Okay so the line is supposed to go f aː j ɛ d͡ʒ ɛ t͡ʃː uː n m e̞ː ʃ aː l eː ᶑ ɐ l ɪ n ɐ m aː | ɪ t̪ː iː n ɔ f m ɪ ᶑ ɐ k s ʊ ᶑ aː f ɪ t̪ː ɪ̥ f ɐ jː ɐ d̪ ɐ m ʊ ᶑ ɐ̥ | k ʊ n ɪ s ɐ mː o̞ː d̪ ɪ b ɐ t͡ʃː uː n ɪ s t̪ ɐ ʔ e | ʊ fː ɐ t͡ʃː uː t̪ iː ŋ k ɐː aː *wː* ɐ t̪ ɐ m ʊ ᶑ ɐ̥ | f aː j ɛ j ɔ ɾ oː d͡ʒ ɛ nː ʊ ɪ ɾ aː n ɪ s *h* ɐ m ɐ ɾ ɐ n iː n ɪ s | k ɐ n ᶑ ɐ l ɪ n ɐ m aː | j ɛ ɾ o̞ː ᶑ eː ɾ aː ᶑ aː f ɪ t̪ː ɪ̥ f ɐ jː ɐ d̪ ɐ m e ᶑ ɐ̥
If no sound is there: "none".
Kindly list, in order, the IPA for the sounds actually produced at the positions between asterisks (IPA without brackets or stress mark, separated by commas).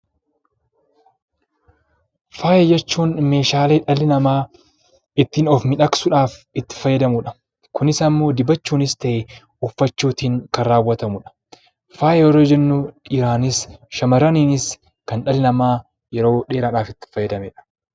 wː, ʃ